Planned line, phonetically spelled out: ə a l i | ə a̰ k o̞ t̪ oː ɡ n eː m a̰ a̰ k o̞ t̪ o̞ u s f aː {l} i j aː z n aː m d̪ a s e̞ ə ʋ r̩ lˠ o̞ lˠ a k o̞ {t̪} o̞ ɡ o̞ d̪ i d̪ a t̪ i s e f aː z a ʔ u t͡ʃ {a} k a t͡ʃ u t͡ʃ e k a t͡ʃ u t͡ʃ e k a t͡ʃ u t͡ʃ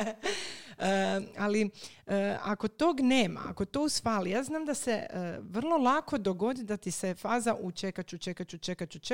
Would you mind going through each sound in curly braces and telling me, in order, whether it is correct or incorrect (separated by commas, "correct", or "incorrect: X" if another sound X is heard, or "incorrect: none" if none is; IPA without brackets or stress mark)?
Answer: correct, incorrect: d̪, incorrect: e